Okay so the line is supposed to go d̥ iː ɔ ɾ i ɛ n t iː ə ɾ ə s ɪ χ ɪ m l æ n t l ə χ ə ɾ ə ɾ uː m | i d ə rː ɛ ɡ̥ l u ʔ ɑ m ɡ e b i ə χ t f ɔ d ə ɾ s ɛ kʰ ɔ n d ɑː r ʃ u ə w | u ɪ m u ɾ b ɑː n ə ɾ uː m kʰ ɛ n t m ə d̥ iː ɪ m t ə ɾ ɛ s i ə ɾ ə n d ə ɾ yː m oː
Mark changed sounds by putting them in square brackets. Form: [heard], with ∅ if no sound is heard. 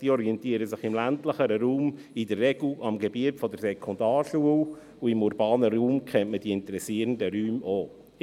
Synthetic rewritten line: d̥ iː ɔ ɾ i ɛ n t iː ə ɾ ə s ɪ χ ɪ m l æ n t l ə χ ə ɾ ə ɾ uː m | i d ə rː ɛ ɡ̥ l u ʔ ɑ m ɡ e b i ə [∅] t f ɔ d ə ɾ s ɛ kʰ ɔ n d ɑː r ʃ u ə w | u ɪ m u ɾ b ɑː n ə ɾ uː m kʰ ɛ n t m ə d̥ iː ɪ [n] t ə ɾ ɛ s i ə ɾ ə n d ə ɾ yː m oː